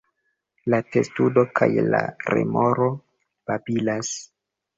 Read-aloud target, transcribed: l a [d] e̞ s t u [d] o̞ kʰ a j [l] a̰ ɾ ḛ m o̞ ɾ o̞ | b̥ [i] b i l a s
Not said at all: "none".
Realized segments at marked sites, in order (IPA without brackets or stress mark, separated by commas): t, d, l, a